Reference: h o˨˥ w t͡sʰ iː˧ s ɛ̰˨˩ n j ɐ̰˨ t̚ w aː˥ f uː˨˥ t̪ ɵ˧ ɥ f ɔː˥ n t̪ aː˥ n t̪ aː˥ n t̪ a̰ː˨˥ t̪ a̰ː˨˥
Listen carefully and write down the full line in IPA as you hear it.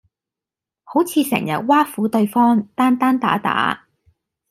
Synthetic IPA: h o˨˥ w t͡sʰ iː˧ s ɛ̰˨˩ ŋ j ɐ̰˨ t̚ w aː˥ f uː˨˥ t̪ ɵ˧ ɥ f ɔː˥ ŋ t̪ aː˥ n t̪ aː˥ n t̪ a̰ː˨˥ t̪ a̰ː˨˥